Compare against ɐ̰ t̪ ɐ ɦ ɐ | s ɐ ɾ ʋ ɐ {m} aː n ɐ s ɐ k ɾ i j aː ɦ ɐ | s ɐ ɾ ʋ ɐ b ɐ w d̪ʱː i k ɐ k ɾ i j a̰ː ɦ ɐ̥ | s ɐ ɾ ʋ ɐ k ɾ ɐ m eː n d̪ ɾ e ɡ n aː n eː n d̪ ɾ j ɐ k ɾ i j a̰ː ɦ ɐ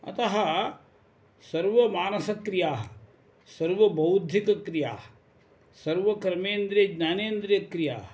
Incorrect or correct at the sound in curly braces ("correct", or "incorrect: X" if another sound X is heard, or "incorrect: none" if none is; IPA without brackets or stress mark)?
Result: correct